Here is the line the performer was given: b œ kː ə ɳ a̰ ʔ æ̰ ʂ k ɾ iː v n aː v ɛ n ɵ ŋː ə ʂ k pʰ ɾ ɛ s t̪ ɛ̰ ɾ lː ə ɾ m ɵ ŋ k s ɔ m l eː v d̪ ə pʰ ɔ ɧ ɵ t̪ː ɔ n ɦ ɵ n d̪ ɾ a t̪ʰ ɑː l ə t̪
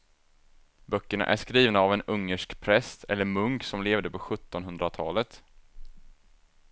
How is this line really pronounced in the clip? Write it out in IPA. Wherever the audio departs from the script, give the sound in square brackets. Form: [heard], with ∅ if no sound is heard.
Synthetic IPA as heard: b œ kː ə ɳ a̰ ʔ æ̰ ʂ k ɾ iː v n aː v ɛ n ɵ ŋː ə ʂ k pʰ ɾ ɛ s t̪ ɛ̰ [∅] lː ə ɾ m ɵ ŋ k s ɔ m l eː v d̪ ə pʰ ɔ ɧ ɵ t̪ː ɔ n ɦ ɵ n d̪ ɾ a t̪ʰ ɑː l ə t̪

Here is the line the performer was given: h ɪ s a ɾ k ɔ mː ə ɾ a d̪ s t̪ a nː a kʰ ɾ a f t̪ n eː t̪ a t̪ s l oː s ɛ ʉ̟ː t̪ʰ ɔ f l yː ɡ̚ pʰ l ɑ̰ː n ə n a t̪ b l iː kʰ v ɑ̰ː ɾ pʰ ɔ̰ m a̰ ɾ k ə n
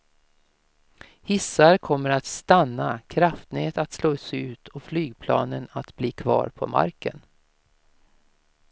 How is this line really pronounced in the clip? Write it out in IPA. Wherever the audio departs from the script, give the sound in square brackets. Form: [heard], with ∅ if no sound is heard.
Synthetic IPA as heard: h ɪ s a ɾ [kʰ] ɔ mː ə ɾ a [t̪] s t̪ a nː a kʰ ɾ a f t̪ n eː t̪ a t̪ s l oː s ɛ ʉ̟ː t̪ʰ ɔ f l yː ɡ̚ pʰ l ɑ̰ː n ə n a t̪ b l iː kʰ v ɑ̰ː ɾ pʰ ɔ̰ m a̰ ɾ k ə n

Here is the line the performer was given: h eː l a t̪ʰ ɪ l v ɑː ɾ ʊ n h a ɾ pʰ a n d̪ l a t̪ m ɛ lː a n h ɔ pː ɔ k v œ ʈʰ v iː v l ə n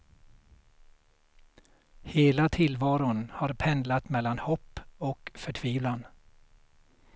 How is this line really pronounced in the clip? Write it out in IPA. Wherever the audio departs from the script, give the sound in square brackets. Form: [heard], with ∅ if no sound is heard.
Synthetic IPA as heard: h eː l a t̪ʰ ɪ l v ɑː ɾ ʊ n h a ɾ pʰ [ɛ] n d̪ l a t̪ m ɛ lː a n h ɔ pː ɔ k [f] œ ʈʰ v iː v l [a] n

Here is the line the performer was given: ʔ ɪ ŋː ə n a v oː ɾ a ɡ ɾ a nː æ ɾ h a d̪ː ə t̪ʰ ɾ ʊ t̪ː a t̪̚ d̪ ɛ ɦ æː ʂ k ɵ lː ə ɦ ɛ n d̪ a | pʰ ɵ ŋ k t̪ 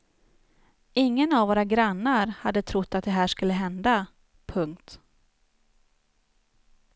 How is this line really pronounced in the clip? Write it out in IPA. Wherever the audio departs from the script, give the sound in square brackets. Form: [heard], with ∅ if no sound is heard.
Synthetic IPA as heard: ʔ ɪ ŋː ə n a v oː ɾ a ɡ ɾ a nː [a] ɾ h a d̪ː ə t̪ʰ ɾ ʊ t̪ː a t̪̚ d̪ ɛ ɦ æː ʂ k ɵ lː ə ɦ ɛ n d̪ a | pʰ ɵ ŋ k t̪

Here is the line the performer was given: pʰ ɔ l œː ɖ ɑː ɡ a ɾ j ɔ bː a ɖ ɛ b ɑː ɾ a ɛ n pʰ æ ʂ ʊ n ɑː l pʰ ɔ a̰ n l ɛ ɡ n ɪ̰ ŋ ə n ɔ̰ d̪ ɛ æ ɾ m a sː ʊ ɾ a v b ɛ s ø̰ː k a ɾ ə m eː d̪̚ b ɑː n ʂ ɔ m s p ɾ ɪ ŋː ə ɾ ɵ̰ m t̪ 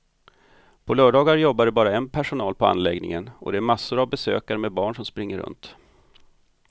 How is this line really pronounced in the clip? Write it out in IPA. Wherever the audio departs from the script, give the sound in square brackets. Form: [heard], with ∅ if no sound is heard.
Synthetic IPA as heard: pʰ ɔ l œː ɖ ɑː ɡ a ɾ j ɔ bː a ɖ ɛ b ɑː ɾ a ɛ n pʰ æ ʂ ʊ n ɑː l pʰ ɔ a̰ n l ɛ ɡ n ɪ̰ ŋ ə n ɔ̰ d̪ ɛ æ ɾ m a sː ʊ ɾ a v b ɛ s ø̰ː k a ɾ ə m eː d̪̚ b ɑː [ɳ] ʂ ɔ m s p ɾ ɪ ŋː ə ɾ ɵ̰ [n] t̪

